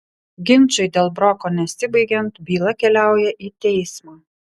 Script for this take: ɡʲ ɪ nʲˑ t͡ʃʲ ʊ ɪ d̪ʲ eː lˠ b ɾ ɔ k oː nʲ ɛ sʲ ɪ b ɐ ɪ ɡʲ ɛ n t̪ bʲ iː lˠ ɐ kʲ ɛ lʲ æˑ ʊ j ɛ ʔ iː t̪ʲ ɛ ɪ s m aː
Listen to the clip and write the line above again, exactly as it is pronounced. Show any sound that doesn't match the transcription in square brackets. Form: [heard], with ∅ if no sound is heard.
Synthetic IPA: ɡʲ ɪ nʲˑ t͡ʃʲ ʊ ɪ d̪ʲ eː lˠ b ɾ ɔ k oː nʲ ɛ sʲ ɪ b ɐ ɪ ɡʲ ɛ n t̪ bʲ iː lˠ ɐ kʲ ɛ lʲ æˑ ʊ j ɛ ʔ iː t̪ʲ ɛ ɪ s m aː